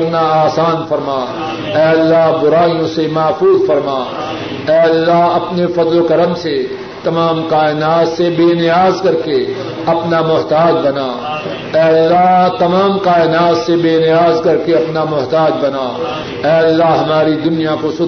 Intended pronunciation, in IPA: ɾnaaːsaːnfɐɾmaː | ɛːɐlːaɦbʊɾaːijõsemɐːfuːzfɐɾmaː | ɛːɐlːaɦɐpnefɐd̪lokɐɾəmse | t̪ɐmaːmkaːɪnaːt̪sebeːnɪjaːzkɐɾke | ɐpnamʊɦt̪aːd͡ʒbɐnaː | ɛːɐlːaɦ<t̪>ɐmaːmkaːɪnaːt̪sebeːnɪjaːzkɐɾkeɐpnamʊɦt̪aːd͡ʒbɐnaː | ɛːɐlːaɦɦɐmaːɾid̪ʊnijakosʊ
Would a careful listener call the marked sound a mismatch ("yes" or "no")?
no